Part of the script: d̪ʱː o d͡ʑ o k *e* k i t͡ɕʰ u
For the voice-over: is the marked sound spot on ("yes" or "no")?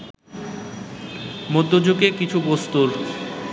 yes